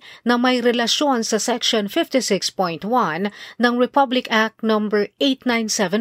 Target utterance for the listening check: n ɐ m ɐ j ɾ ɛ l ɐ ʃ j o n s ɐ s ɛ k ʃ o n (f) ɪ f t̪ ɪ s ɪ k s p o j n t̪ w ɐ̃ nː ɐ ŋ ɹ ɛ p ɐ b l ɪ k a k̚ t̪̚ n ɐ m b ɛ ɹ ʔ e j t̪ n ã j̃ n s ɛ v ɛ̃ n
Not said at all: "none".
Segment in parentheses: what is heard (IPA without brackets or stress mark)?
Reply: f